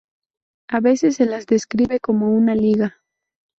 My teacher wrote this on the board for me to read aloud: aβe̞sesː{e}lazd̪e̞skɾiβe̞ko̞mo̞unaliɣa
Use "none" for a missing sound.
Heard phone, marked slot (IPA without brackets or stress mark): e